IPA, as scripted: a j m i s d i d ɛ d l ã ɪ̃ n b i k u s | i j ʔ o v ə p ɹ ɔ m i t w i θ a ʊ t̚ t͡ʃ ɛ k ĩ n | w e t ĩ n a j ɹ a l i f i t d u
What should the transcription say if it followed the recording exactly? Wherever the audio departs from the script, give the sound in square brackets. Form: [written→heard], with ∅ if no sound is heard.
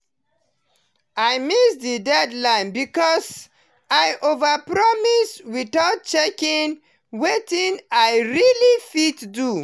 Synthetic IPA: a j m i s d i d ɛ d l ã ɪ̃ n b i k [u→ɔ] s | [i→a] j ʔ o v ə p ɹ ɔ m i [t→s] w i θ a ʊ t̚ t͡ʃ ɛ k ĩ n | w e t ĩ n a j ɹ [a→i] l i f i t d u